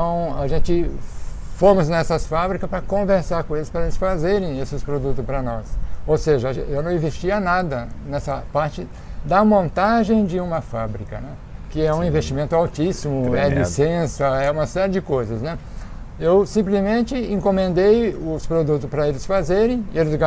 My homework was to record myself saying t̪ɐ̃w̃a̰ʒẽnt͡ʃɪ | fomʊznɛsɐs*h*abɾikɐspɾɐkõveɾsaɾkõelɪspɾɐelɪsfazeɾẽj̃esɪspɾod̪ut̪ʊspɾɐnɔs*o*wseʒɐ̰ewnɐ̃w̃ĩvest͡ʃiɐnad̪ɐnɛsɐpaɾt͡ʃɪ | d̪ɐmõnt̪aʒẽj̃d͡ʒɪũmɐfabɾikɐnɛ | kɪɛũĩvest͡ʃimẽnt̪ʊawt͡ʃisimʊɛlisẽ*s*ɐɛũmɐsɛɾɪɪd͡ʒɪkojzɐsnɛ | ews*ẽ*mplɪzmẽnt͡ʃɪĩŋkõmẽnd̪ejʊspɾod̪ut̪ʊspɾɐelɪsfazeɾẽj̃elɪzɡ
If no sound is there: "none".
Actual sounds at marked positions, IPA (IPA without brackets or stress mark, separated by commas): f, o, s, ĩ